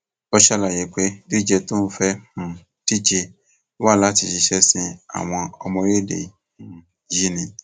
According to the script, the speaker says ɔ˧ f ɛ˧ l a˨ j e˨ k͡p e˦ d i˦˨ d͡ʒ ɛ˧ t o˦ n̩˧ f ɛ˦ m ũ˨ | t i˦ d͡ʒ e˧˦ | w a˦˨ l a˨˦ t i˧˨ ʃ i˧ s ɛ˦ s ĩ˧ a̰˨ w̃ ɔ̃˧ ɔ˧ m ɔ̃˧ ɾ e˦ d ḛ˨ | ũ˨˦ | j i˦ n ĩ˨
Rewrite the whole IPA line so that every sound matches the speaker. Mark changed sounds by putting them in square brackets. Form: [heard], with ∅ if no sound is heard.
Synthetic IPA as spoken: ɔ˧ [ʃ] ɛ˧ l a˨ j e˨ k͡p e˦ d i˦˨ d͡ʒ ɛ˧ t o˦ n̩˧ f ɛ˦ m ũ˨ | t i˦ d͡ʒ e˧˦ | w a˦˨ l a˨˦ t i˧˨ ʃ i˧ [ʃ] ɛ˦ s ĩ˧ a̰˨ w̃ ɔ̃˧ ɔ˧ m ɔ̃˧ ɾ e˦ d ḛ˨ | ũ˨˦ | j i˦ n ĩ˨